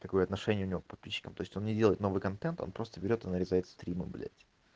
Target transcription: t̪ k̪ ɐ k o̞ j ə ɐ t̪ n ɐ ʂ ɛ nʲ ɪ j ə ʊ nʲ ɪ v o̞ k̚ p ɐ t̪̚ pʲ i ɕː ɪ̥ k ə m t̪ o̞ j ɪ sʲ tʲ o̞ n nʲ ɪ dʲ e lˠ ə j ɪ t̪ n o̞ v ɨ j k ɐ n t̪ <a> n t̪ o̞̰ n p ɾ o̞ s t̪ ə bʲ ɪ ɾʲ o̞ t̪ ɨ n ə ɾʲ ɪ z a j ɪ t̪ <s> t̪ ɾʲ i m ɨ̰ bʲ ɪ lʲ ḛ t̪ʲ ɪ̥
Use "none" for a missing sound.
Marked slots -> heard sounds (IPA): ɛ, s

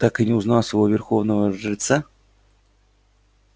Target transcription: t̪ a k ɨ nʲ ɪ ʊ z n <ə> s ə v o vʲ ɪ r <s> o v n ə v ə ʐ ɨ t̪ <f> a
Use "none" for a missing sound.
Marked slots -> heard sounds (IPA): a, x, s

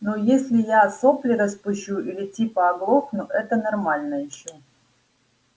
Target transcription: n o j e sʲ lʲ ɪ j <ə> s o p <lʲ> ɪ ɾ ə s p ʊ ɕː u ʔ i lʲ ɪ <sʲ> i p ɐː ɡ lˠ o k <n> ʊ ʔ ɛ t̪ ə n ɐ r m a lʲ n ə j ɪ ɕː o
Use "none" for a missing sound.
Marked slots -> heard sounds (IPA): a, lʲ, tʲ, n

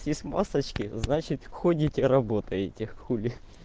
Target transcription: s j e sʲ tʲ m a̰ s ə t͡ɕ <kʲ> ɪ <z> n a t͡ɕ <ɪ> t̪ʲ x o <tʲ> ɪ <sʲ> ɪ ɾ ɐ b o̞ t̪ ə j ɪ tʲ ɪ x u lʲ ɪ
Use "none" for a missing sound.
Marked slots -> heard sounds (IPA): kʲ, z, ɪ, dʲ, tʲ

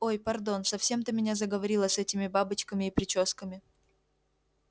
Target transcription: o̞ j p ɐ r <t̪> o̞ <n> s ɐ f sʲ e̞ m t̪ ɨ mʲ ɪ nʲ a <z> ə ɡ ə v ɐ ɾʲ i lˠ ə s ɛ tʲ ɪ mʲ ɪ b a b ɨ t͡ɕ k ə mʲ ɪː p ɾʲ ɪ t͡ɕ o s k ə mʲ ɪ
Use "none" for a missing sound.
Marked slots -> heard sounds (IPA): d̪, n, z

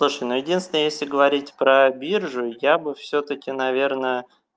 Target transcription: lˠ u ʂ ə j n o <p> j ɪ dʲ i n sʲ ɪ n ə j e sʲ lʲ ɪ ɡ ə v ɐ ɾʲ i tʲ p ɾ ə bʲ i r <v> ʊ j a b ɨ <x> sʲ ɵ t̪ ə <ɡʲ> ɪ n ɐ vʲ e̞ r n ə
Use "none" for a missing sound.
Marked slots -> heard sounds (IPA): none, ʐ, f, kʲ

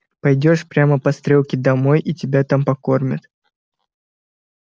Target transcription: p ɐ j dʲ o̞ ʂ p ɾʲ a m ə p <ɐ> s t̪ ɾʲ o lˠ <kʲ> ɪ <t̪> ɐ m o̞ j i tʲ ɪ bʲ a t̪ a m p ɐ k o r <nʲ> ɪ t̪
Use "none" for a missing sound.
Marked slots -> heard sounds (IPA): ɐ, kʲ, d̪, mʲ

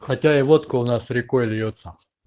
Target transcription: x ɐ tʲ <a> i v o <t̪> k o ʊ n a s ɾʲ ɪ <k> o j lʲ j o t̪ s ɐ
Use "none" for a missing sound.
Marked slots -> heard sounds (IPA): a, t̪, k

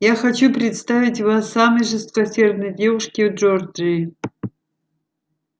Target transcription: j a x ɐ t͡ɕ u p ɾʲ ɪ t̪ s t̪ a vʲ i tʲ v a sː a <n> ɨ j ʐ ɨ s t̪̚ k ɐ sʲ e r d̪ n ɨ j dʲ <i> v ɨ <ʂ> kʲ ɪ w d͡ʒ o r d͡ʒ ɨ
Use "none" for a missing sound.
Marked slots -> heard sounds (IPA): m, e, ʂ

